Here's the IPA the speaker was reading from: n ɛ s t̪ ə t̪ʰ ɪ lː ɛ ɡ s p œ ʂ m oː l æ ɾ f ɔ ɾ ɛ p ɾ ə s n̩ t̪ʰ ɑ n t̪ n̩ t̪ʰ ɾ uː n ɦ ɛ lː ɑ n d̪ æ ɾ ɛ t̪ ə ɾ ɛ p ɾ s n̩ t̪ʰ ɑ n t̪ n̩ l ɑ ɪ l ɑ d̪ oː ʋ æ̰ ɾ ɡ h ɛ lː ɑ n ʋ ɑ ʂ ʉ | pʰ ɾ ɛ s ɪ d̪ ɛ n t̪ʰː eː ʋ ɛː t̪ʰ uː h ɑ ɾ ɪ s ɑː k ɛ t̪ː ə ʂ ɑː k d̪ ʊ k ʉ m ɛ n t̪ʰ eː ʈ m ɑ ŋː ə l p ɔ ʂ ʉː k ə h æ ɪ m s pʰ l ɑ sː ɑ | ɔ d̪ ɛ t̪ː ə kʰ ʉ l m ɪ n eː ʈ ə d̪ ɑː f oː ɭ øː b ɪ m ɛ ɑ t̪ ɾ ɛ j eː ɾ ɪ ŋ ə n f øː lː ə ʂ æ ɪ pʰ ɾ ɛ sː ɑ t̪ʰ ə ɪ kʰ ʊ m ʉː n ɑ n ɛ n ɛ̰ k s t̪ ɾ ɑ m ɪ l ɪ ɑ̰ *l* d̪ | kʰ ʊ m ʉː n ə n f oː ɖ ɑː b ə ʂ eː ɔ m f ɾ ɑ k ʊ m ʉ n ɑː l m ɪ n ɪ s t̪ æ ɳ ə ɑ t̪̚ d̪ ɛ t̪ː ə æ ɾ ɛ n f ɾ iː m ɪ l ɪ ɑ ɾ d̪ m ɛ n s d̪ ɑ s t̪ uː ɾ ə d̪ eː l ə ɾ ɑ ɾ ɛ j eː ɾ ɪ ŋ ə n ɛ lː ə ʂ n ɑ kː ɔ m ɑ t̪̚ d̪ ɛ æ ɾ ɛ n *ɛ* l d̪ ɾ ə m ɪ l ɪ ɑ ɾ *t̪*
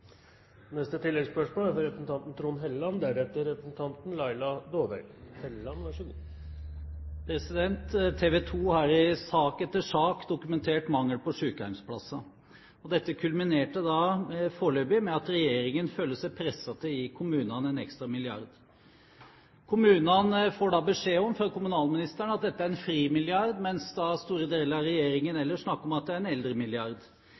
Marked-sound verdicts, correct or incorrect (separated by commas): incorrect, correct, incorrect